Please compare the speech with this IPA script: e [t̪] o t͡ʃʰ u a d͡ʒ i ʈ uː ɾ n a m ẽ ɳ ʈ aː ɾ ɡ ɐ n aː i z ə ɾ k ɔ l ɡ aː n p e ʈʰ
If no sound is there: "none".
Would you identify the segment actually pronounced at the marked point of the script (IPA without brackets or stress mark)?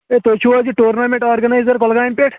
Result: t̪